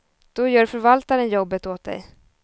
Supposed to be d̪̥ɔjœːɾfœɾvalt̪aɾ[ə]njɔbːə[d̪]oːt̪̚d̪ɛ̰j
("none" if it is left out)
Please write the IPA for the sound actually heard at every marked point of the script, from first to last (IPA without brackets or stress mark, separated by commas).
ə, t̪